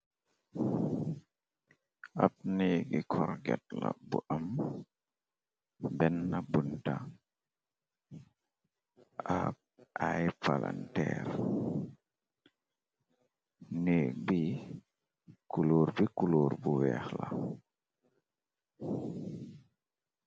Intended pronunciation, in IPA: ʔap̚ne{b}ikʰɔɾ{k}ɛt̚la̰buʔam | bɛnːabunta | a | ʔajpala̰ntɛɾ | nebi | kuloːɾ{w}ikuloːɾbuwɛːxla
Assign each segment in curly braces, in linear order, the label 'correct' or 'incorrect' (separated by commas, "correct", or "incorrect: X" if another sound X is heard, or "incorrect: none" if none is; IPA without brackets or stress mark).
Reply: incorrect: ɡ, incorrect: ɡ, incorrect: b